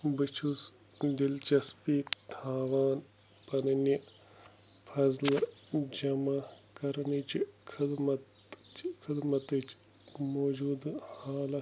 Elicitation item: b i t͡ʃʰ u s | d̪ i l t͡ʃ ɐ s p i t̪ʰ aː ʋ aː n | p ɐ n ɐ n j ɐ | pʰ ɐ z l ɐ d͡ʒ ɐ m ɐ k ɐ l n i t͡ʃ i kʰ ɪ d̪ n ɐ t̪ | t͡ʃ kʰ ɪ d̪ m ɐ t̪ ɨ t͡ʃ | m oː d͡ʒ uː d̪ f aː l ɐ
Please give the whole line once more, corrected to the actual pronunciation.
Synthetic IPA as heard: b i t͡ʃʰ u s | d̪ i l t͡ʃ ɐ s p i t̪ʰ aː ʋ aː n | p ɐ n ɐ n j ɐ | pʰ ɐ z l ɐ d͡ʒ ɐ m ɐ k ɐ ɾ n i t͡ʃ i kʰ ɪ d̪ m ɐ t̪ | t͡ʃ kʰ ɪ d̪ m ɐ t̪ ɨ t͡ʃ | m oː d͡ʒ uː d̪ h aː l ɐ